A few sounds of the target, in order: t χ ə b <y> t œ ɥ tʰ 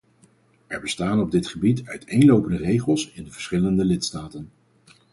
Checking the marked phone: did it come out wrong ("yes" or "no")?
yes